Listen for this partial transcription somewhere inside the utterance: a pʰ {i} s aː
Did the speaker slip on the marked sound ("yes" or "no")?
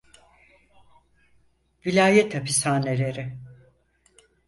no